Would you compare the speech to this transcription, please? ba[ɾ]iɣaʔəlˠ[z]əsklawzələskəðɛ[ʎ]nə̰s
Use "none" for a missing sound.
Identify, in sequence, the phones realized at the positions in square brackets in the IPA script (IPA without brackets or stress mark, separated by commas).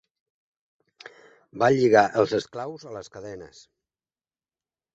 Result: ʎ, z, none